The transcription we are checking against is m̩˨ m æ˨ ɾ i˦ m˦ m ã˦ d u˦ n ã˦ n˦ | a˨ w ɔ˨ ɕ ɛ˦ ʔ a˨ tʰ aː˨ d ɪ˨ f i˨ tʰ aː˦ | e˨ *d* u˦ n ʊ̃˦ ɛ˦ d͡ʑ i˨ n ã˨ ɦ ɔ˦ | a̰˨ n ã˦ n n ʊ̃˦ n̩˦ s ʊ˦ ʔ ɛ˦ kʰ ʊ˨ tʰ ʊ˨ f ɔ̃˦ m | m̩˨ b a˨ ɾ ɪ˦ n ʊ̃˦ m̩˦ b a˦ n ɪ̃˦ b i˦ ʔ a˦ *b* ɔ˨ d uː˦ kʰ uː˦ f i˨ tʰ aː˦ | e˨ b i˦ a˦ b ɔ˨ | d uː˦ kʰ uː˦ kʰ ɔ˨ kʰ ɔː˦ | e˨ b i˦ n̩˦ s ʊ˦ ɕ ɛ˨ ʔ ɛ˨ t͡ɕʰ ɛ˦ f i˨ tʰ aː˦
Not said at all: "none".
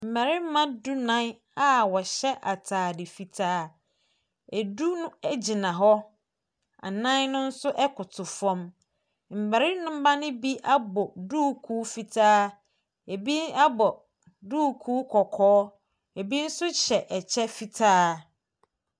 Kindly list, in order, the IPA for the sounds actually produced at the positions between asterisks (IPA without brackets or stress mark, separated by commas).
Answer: d, b